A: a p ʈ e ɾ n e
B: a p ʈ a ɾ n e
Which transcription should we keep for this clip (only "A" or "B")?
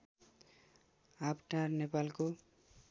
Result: B